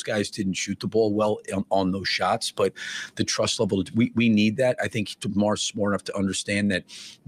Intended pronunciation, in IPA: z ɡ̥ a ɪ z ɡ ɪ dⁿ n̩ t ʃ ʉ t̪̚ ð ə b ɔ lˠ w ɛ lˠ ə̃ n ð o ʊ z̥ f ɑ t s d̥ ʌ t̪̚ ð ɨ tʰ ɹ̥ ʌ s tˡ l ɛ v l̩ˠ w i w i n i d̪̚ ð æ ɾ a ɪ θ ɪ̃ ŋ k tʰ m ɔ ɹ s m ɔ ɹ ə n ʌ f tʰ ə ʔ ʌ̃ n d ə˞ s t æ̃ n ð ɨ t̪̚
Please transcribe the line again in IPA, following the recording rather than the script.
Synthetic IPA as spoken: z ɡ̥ a ɪ z d ɪ dⁿ n̩ t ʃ ʉ t̪̚ ð ə b ɔ lˠ w ɛ lˠ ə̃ n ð o ʊ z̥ ʃ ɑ t s b̥ ʌ t̪̚ ð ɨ tʰ ɹ̥ ʌ s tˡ l ɛ v l̩ˠ w i w i n i d̪̚ ð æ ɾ a ɪ θ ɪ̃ ŋ k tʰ m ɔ ɹ s m ɔ ɹ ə n ʌ f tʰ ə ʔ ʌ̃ n d ə˞ s t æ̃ n ð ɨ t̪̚